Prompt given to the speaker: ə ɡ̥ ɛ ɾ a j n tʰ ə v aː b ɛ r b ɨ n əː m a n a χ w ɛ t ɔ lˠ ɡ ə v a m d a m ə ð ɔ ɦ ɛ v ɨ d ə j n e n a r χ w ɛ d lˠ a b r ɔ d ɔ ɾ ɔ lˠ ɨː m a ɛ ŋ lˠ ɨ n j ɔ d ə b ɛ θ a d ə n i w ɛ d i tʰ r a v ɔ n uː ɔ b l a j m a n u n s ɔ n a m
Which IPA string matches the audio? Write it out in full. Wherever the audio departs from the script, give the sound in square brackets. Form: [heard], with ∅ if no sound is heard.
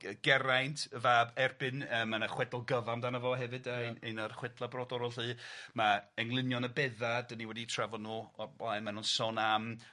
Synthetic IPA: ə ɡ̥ ɛ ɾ a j n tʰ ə v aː b ɛ r b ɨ n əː m a n a χ w ɛ [d] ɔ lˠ ɡ ə v a m d a [n] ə [v] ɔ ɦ ɛ v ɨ d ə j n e n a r χ w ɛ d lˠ a b r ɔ d ɔ ɾ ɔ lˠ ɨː m a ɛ ŋ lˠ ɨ n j ɔ [n] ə b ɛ [ð] a d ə n i w ɛ d i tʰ r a v ɔ n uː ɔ b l a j m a n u n s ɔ n a m